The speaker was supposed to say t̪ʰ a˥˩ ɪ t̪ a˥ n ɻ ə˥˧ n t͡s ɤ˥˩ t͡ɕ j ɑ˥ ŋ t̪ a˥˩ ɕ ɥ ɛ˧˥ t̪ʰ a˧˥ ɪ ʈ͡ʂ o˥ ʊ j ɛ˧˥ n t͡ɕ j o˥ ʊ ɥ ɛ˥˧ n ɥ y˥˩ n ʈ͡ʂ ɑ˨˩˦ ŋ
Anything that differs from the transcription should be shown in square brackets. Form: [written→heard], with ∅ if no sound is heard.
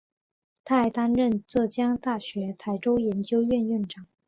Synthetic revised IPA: t̪ʰ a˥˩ ɪ t̪ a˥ n ɻ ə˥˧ n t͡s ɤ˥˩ t͡ɕ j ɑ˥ ŋ t̪ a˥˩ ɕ ɥ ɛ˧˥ t̪ʰ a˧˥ ɪ ʈ͡ʂ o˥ ʊ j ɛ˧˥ n t͡ɕ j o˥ ʊ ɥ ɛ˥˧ n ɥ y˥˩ n ʈ͡ʂ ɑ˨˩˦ ŋ